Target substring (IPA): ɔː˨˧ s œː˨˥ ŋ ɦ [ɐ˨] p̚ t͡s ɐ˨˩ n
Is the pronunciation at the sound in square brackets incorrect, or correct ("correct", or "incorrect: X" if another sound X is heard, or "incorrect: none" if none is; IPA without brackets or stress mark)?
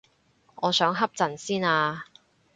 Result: incorrect: ɐ˥